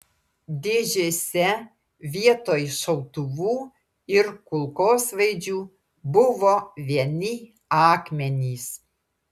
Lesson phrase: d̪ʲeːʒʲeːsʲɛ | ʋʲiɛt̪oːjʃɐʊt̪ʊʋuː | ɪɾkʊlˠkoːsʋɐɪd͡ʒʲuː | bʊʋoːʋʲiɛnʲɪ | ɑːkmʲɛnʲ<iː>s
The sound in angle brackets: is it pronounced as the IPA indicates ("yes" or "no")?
yes